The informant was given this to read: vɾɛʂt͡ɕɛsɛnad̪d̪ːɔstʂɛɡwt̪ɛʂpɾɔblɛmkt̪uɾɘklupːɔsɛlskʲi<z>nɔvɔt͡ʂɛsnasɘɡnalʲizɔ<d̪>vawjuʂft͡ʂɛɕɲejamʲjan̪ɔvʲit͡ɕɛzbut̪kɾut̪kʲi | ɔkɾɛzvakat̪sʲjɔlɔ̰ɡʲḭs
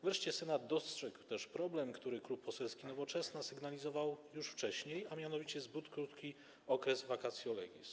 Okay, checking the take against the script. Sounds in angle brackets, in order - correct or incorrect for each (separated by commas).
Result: incorrect, incorrect